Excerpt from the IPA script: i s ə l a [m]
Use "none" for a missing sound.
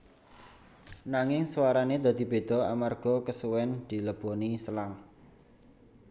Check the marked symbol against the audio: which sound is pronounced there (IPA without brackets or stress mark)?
ŋ